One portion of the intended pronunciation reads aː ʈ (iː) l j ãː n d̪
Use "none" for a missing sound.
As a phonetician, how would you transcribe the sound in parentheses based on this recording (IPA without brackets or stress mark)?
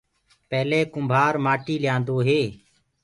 iː